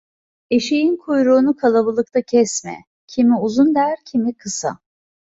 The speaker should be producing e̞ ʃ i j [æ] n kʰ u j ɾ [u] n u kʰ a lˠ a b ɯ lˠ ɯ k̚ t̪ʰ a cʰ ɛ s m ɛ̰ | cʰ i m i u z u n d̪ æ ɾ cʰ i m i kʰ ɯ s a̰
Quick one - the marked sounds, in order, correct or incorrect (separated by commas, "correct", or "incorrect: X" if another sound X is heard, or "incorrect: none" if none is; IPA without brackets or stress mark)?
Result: incorrect: i, incorrect: uː